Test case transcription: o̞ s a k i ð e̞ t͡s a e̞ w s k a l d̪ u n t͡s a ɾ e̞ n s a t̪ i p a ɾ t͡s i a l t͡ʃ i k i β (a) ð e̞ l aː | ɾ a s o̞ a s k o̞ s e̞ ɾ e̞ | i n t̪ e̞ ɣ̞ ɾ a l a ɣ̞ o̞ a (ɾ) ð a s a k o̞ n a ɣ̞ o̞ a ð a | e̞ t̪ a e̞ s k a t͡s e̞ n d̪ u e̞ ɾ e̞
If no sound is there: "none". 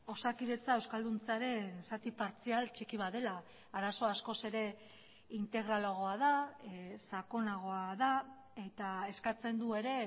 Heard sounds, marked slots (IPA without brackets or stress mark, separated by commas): a, none